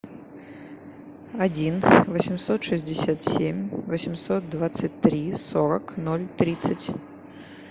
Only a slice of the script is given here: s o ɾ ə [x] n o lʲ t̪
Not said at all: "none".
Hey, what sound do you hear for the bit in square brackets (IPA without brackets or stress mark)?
k